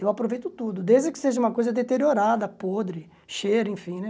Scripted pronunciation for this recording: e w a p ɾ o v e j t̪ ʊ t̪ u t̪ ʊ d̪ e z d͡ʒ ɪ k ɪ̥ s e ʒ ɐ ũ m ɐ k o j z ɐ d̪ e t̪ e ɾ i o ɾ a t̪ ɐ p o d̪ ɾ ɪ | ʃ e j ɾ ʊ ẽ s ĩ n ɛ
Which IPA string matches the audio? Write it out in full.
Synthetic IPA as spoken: e w a p ɾ o v e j t̪ ʊ t̪ u d̪ ʊ d̪ e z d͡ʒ ɪ k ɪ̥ s e ʒ ɐ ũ m ɐ k o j z ɐ d̪ e t̪ e ɾ i o ɾ a d̪ ɐ p o d̪ ɾ ɪ | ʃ e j ɾ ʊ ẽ f ĩ n ɛ